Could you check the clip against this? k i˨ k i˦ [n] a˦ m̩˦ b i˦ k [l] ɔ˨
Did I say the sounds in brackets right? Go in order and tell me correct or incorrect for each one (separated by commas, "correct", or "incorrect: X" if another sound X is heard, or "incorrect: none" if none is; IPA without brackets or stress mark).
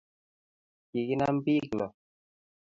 correct, correct